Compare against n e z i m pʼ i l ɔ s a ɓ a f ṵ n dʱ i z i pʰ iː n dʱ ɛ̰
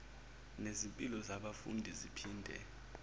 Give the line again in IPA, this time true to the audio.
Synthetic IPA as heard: n e z i m pʼ i l ɔ z a ɓ a f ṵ n dʱ i z i pʰ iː n dʱ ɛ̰